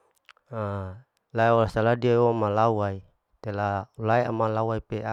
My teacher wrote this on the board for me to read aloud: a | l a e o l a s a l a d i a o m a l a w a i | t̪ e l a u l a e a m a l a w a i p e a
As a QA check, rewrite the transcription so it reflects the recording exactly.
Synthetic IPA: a | l a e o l a s a l a d i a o m a l a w a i | t̪ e l a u l a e a m a l a w a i p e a